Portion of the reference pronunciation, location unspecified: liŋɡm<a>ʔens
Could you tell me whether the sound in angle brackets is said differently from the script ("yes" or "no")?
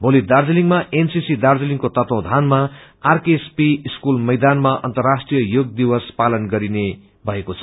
no